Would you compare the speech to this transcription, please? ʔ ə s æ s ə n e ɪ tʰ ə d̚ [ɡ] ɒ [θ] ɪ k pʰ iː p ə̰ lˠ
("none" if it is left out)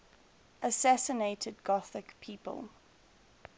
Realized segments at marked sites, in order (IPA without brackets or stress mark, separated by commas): ɡ, θ